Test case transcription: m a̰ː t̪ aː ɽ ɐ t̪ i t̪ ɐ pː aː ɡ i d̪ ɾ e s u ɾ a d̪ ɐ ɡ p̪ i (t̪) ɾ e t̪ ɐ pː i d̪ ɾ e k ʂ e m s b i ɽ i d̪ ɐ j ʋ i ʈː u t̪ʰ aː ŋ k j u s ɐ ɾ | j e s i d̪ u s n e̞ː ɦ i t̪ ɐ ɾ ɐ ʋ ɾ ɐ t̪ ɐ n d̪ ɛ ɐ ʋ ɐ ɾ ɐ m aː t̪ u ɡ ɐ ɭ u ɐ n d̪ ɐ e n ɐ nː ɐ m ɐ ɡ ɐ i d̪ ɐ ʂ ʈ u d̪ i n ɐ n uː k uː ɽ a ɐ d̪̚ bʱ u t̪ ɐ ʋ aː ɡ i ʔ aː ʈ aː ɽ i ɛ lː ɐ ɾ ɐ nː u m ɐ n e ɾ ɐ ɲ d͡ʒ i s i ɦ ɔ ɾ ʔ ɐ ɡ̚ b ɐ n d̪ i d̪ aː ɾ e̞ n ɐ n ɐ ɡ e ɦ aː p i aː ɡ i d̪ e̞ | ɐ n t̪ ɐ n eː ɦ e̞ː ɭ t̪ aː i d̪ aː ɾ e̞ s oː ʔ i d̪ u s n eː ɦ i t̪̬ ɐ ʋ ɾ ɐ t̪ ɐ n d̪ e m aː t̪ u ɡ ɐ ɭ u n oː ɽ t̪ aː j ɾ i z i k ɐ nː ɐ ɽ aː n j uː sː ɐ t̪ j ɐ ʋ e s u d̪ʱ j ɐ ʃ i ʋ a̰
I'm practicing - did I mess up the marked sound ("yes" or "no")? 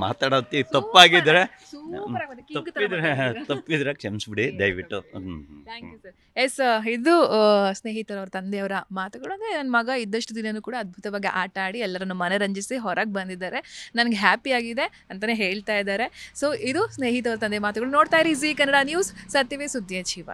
yes